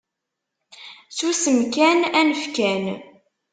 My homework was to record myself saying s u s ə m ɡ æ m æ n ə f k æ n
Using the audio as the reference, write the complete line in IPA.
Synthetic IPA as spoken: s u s ə m k æ n æ n ə f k æ n